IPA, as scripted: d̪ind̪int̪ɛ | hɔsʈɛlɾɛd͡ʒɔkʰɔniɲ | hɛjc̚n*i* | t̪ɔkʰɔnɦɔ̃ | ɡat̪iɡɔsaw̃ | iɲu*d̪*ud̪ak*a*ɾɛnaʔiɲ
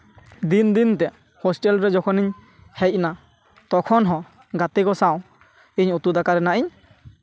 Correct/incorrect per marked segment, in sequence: incorrect, incorrect, correct

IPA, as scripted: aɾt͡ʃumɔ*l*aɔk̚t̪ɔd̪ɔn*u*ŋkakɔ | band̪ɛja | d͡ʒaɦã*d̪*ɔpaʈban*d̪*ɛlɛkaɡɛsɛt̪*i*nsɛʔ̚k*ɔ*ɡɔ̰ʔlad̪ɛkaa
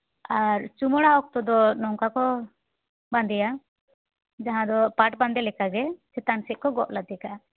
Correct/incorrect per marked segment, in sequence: incorrect, incorrect, correct, correct, incorrect, correct

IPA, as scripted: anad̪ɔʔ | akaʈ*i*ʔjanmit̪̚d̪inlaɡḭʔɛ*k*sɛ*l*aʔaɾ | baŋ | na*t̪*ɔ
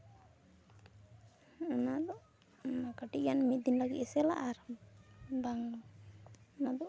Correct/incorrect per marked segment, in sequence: correct, incorrect, correct, incorrect

